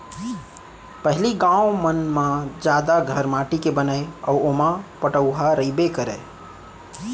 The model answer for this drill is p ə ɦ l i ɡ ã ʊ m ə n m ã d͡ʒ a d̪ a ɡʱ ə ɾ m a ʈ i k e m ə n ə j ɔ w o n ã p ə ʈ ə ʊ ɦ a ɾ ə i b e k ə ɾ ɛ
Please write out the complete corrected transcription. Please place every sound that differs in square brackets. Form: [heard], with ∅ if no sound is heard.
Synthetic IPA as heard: p ə ɦ l i ɡ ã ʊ m ə n m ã d͡ʒ a d̪ a ɡʱ ə ɾ m a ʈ i k e [b] ə n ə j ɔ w o [m] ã p ə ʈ ə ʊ ɦ a ɾ ə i b e k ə ɾ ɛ